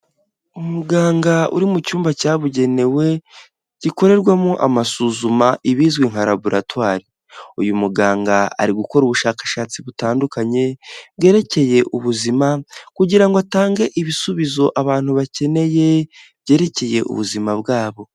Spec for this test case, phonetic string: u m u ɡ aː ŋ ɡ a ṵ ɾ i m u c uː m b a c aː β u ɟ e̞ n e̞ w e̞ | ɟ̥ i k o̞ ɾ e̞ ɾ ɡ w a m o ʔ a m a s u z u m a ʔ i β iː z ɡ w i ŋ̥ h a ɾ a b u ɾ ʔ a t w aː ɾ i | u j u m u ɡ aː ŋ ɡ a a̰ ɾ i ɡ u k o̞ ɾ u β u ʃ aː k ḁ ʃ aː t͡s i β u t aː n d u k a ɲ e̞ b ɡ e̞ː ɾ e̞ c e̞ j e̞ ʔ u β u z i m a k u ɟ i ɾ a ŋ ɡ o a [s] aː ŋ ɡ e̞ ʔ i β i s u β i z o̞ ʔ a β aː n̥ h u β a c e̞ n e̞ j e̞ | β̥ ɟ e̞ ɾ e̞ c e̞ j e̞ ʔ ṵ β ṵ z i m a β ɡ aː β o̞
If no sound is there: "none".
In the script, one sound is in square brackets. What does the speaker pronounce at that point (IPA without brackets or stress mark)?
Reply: t